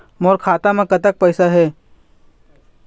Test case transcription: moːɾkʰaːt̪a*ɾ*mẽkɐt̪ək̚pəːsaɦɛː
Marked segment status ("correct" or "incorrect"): incorrect